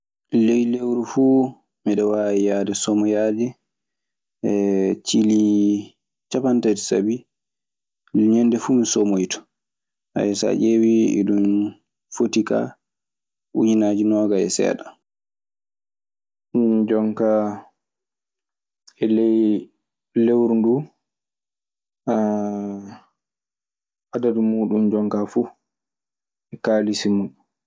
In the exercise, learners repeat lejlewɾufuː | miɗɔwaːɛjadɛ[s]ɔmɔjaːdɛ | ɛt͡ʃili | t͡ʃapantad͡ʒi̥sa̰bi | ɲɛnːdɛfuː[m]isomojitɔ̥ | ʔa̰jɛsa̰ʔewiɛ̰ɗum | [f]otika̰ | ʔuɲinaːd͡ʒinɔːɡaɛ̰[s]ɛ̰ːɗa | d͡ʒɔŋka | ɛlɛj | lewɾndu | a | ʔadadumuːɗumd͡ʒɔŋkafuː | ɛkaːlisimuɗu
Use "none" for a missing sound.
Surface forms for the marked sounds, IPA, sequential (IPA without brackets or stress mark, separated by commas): s, m, f, s